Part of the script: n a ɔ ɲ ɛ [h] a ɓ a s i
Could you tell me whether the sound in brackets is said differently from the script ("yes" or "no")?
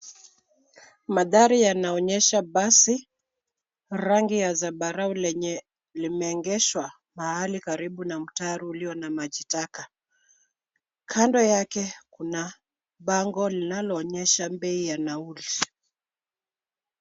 yes